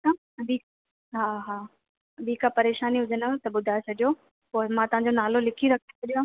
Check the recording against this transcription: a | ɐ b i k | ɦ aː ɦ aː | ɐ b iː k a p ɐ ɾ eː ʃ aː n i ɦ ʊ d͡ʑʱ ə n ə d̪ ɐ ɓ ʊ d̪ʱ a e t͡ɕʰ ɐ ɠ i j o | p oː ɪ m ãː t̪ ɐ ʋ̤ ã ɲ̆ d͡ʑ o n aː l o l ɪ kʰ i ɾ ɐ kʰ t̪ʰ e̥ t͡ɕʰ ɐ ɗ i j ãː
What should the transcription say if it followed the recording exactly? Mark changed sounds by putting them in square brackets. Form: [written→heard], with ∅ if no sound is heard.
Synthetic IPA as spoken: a | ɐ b i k | ɦ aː ɦ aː | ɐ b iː k a p ɐ ɾ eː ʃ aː n i ɦ ʊ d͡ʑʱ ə n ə [d̪→t̪] ɐ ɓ ʊ d̪ʱ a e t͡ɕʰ ɐ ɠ i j o | p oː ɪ m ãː t̪ ɐ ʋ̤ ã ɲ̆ d͡ʑ o n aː l o l ɪ kʰ i ɾ ɐ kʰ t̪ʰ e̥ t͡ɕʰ ɐ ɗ i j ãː